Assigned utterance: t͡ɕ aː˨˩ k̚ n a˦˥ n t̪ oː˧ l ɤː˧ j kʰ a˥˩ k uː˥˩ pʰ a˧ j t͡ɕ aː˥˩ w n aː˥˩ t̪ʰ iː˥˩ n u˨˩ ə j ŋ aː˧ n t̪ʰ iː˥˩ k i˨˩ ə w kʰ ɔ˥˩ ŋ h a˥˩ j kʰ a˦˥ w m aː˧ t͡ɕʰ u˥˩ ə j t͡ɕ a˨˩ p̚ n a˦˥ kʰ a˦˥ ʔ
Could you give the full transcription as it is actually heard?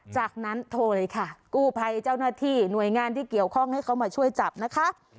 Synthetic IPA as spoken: t͡ɕ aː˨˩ k̚ n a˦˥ n t̪ʰ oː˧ l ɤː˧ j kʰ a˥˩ k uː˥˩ pʰ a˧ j t͡ɕ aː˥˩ w n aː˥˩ t̪ʰ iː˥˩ n u˨˩ ə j ŋ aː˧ n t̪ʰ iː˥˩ k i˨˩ ə w kʰ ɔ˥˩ ŋ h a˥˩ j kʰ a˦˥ w m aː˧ t͡ɕʰ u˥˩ ə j t͡ɕ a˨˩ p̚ n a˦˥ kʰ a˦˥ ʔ